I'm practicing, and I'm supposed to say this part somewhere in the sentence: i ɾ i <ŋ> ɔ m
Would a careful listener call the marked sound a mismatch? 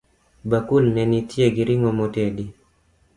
no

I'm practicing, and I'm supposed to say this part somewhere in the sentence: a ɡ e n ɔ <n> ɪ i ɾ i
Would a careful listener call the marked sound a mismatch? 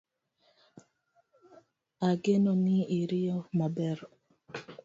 no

